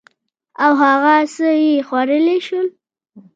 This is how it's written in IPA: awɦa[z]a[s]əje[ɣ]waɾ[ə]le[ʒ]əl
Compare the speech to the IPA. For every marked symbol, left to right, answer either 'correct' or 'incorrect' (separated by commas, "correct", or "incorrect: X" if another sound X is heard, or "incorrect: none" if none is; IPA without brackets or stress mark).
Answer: incorrect: ɣ, correct, incorrect: x, correct, incorrect: ʃ